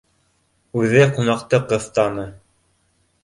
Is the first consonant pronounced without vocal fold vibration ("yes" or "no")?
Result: no